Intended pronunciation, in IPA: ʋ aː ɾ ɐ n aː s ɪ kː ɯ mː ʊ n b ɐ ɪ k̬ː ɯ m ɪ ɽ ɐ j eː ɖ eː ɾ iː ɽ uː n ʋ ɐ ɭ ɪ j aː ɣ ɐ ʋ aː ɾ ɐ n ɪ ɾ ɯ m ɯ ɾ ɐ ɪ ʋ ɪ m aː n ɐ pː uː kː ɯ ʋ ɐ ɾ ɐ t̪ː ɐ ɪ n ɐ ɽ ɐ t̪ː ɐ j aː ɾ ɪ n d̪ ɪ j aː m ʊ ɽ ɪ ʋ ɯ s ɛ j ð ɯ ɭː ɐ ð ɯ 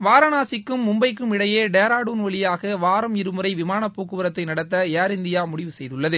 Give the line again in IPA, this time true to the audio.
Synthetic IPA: ʋ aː ɾ ɐ n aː s ɪ kː ɯ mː ʊ m b ɐ ɪ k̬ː ɯ m ɪ ɽ ɐ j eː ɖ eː ɾ aː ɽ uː n ʋ ɐ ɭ ɪ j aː ɣ ɐ ʋ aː ɾ ɐ m ɪ ɾ ɯ m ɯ ɾ ɐ ɪ ʋ ɪ m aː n ɐ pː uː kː ɯ ʋ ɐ ɾ ɐ t̪ː ɐ ɪ n ɐ ɽ ɐ t̪ː ɐ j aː ɾ ɪ n d̪ ɪ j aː m ʊ ɽ ɪ ʋ ɯ s ɛ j ð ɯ ɭː ɐ ð ɯ